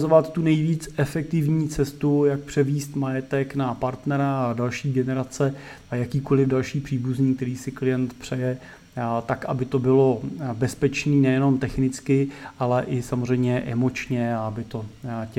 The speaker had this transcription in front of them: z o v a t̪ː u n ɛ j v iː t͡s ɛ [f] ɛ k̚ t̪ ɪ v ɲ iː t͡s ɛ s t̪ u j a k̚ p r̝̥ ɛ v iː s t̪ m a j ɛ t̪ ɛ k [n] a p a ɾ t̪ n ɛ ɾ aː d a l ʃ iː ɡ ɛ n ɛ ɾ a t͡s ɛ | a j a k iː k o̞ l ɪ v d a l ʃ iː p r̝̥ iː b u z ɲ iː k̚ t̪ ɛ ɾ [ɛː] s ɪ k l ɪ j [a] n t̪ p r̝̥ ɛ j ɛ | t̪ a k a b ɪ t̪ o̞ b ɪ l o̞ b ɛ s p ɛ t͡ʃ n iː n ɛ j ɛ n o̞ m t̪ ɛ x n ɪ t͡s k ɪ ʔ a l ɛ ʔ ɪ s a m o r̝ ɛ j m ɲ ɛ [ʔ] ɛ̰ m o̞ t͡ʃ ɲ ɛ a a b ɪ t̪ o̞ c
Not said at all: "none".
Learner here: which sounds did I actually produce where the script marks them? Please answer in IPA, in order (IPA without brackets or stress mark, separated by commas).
f, n, iː, ɛ, ʔ